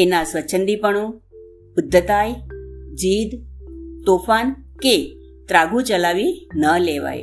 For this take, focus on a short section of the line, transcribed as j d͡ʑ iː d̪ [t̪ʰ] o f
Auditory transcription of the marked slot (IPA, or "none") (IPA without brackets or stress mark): t̪